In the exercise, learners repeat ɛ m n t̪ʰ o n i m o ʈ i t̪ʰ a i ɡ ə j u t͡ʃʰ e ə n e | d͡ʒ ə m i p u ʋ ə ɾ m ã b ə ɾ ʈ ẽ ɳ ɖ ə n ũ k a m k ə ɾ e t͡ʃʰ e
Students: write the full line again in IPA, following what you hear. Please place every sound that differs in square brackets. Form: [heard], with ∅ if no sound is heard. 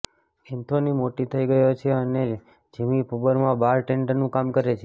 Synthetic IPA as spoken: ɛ [∅] n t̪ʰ o n i m o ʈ i t̪ʰ [ə] i ɡ ə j [o] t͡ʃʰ e ə n e | d͡ʒ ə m i p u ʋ ə ɾ m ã b [a] ɾ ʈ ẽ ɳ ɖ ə n ũ k a m k ə ɾ e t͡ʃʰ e